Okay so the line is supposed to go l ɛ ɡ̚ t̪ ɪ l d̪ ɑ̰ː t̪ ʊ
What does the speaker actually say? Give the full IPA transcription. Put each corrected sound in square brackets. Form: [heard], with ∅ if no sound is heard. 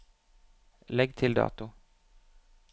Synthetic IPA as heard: l ɛ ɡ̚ [t̪ʰ] ɪ l d̪ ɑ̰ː t̪ ʊ